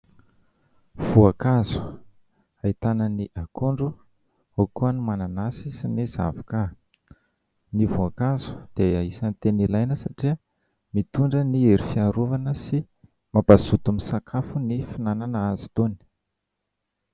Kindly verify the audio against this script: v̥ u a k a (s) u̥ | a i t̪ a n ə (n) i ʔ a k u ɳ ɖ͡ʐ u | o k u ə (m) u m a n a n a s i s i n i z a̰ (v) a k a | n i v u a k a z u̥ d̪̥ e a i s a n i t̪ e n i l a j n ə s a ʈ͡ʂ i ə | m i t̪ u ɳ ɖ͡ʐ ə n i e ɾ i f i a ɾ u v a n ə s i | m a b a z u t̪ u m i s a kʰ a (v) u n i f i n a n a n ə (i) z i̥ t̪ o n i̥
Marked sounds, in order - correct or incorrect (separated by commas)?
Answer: incorrect, correct, incorrect, correct, incorrect, incorrect